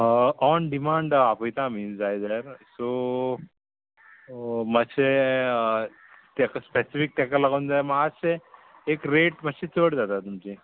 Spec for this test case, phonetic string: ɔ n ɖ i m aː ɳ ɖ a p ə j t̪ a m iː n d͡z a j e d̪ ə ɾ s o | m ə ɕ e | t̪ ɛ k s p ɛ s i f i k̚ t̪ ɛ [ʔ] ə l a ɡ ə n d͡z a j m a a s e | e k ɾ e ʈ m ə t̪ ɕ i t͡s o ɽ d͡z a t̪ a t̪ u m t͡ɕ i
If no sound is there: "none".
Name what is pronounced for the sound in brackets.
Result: k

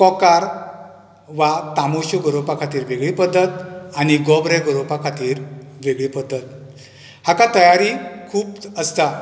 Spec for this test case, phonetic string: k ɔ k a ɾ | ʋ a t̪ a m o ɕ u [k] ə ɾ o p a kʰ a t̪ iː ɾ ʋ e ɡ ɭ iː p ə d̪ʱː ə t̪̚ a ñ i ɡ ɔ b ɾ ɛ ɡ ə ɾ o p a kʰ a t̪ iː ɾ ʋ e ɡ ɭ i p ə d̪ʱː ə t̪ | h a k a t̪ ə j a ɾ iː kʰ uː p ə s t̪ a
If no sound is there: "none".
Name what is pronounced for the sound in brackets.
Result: ɡ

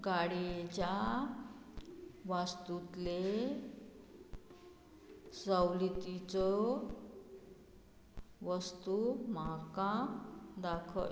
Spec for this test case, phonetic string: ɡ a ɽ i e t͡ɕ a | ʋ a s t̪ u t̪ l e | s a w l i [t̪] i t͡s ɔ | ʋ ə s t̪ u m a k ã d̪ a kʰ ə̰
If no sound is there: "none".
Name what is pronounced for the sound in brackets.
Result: t̪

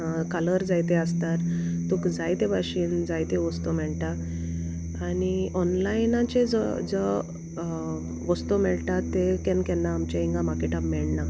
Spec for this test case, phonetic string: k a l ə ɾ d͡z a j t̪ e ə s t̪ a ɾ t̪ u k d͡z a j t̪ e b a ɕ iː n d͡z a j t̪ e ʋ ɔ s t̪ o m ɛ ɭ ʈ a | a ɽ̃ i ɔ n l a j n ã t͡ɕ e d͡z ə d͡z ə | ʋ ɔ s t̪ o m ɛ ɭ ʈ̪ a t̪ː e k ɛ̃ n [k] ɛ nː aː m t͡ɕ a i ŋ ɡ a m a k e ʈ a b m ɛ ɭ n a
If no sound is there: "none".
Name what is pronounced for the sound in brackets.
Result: k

